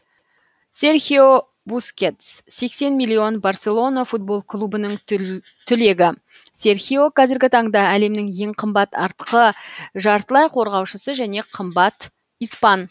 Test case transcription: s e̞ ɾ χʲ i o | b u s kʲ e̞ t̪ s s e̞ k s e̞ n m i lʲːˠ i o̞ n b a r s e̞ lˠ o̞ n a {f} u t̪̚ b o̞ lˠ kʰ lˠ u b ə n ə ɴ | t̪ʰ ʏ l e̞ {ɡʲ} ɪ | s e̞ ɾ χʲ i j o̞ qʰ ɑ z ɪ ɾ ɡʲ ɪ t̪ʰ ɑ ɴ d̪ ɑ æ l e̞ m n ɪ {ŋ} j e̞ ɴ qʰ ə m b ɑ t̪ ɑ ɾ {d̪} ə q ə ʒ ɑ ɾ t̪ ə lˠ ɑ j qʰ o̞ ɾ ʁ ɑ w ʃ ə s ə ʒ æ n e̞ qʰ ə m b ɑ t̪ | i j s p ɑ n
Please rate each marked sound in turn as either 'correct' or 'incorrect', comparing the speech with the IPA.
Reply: correct, correct, correct, incorrect

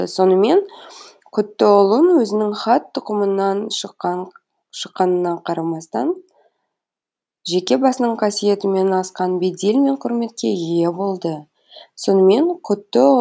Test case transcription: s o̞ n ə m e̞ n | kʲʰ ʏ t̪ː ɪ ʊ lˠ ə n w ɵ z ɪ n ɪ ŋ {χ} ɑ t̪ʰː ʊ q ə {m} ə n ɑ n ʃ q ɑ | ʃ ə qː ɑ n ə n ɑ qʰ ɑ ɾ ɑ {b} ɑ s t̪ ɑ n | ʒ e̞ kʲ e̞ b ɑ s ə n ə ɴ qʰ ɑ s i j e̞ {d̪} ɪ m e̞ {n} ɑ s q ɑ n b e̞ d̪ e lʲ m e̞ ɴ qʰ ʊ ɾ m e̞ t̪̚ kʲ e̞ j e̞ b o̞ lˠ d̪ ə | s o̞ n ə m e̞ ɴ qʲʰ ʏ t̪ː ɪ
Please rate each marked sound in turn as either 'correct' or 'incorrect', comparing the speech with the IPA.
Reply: correct, correct, incorrect, incorrect, correct

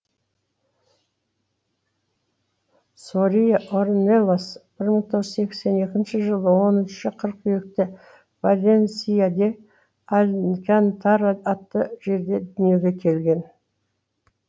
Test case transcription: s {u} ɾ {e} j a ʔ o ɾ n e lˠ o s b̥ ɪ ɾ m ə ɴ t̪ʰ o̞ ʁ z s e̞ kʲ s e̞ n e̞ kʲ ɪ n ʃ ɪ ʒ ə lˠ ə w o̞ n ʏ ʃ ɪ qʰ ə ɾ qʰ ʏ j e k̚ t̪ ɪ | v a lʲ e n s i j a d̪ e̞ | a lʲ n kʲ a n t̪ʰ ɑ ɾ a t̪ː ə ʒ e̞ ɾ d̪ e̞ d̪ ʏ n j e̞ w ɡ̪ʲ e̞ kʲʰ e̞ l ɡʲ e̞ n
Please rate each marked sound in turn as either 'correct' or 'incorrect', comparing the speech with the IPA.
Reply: incorrect, incorrect

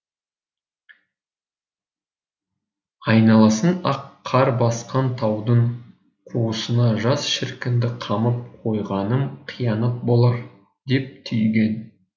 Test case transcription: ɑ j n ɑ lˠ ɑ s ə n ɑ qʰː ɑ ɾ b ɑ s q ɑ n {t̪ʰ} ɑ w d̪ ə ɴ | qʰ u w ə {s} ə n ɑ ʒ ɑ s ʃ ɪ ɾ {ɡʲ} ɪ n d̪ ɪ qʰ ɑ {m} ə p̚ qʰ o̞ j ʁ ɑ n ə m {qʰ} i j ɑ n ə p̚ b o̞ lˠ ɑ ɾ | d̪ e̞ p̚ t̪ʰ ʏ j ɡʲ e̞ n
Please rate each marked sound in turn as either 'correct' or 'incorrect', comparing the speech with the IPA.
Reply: correct, correct, incorrect, correct, correct

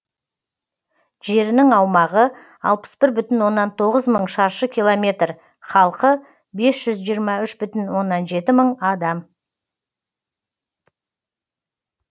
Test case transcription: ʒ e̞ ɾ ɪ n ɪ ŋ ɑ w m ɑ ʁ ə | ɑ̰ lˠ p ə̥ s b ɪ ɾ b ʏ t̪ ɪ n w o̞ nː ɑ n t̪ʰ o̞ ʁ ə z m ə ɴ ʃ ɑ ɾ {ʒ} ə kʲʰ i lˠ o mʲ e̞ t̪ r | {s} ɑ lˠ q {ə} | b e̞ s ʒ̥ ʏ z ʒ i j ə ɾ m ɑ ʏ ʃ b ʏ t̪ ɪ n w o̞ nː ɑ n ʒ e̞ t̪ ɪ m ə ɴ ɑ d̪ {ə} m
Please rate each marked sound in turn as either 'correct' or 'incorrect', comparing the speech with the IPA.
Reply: incorrect, incorrect, correct, incorrect

